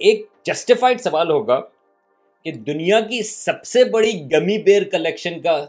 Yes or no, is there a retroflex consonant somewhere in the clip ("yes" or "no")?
yes